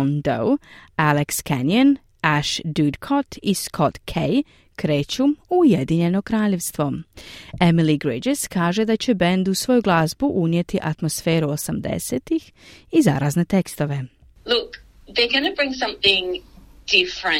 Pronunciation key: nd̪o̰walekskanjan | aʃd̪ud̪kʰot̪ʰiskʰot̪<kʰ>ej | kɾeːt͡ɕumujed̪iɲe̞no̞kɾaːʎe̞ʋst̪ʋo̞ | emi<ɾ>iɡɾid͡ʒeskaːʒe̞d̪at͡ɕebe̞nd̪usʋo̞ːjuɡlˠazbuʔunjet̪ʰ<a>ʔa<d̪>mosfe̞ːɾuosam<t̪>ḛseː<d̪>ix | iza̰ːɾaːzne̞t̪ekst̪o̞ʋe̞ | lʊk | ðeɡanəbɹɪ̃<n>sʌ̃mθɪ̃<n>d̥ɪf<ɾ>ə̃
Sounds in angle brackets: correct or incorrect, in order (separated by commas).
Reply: correct, incorrect, incorrect, incorrect, incorrect, incorrect, incorrect, incorrect, incorrect